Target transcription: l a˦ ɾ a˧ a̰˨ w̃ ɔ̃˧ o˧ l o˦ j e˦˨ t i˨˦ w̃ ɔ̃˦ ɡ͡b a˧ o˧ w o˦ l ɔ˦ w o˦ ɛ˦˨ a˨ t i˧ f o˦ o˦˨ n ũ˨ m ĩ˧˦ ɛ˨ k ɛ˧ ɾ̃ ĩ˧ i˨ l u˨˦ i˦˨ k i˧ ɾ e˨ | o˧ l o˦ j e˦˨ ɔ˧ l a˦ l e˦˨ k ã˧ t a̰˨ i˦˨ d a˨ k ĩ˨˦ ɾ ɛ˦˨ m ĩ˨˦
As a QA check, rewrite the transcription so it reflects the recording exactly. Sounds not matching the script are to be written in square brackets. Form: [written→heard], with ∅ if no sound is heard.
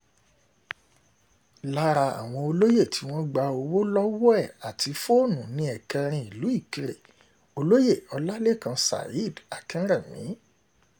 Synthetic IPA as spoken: l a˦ ɾ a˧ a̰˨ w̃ ɔ̃˧ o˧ l o˦ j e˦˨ t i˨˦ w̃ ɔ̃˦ ɡ͡b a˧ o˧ w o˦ l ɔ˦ w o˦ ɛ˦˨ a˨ t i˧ f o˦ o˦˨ n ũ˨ [m→n] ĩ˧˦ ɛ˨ k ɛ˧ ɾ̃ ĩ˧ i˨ l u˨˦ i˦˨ k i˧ ɾ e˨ | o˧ l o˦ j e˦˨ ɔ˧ l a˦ l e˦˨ k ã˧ [t→s] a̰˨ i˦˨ d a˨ k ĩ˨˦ ɾ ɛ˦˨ m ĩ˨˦